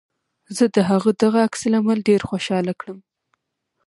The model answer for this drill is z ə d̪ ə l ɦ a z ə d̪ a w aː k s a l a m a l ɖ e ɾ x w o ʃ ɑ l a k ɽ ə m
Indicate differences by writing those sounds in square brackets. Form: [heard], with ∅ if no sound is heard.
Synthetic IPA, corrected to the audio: z ə d̪ ə [∅] ɦ a [ɣ] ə d̪ a [ɣ] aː k s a l a m a l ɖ e ɾ x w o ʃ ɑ l a k ɽ ə m